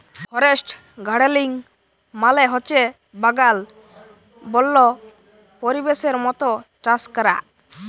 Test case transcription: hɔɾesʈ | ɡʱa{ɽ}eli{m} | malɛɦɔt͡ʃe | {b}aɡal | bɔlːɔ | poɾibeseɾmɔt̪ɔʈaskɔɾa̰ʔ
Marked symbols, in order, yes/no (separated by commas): yes, no, yes